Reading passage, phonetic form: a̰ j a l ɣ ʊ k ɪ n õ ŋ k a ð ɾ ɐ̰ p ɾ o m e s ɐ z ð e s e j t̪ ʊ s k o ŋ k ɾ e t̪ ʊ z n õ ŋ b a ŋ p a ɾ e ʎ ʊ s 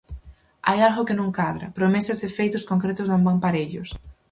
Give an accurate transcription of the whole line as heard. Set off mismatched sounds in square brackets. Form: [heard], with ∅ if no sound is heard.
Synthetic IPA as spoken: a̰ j a l ɣ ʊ k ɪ n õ ŋ k a ð ɾ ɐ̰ p ɾ o m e s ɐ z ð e [f] e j t̪ ʊ s k o ŋ k ɾ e t̪ ʊ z n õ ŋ b a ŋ p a ɾ e ʎ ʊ s